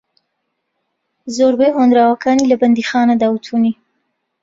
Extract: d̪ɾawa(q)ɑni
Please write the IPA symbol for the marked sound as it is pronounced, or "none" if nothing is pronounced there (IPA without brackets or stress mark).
k